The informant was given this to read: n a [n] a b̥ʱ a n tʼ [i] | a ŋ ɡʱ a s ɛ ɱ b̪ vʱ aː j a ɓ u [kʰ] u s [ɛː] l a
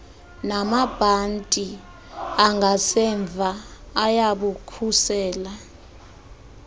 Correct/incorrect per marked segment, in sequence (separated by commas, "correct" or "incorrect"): incorrect, correct, correct, correct